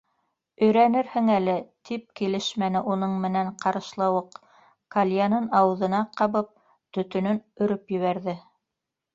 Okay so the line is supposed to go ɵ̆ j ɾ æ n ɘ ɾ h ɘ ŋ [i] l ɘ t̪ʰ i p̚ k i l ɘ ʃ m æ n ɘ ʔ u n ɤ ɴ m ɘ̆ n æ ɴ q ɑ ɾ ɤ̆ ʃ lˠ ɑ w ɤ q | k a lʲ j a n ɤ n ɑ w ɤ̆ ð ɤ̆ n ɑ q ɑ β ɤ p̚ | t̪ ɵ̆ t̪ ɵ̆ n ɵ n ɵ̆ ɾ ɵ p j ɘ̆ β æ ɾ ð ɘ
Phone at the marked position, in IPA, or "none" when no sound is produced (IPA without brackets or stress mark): æ